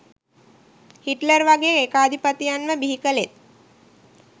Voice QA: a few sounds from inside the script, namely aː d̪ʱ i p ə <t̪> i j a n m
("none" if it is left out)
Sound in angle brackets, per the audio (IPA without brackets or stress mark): t̪